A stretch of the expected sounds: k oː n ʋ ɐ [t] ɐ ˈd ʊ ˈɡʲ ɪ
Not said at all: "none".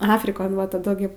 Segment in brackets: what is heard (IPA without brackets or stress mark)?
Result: t